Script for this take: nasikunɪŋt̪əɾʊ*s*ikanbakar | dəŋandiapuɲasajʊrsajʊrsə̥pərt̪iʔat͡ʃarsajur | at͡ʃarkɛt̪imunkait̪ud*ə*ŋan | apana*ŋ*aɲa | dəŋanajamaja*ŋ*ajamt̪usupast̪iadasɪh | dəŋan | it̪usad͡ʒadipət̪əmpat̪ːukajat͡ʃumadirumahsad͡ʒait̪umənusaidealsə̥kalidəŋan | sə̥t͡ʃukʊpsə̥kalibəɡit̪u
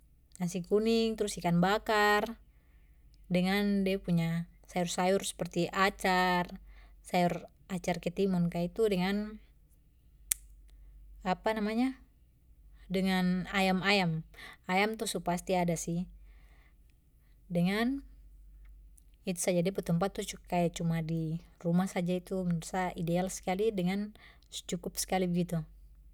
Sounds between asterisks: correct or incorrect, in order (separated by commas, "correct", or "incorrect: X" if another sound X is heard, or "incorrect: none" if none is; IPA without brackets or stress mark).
correct, correct, incorrect: m, incorrect: m